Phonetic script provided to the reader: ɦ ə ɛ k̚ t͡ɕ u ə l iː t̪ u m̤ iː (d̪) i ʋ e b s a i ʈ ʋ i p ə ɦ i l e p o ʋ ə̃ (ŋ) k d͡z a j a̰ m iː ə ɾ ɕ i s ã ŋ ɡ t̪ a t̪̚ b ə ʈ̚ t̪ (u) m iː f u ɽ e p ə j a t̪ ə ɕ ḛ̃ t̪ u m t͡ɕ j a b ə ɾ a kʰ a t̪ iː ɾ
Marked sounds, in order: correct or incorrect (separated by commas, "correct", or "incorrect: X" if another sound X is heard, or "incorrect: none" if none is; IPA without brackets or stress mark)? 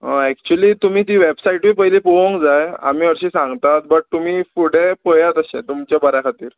incorrect: t̪, correct, correct